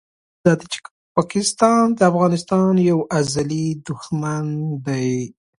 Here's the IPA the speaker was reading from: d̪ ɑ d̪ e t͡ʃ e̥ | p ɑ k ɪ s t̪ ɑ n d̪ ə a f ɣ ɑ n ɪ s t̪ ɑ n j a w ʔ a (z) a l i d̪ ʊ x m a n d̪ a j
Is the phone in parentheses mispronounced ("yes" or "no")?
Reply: no